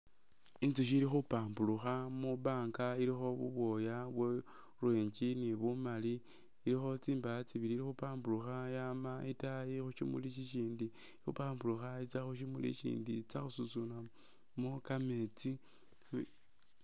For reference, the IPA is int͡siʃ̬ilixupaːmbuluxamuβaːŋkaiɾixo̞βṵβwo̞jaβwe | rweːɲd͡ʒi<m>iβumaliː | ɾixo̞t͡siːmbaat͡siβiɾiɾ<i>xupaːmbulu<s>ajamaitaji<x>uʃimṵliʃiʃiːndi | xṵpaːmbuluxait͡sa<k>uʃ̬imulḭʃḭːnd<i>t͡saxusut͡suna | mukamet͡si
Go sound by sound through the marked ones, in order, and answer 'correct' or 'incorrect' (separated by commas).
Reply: incorrect, correct, incorrect, correct, incorrect, correct